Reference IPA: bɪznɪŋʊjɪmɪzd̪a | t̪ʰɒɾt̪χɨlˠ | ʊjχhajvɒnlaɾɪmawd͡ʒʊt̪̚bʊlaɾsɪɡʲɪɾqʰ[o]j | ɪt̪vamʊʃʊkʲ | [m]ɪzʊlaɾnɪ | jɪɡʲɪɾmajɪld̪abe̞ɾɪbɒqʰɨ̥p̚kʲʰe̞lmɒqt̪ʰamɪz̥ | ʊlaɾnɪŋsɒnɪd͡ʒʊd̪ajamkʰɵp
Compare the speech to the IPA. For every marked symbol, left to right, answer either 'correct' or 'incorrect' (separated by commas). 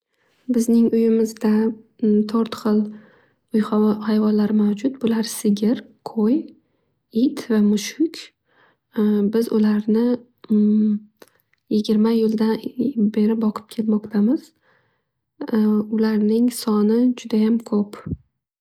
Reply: correct, incorrect